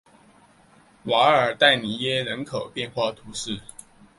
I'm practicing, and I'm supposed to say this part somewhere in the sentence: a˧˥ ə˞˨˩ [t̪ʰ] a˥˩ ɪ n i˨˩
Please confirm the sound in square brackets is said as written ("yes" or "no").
no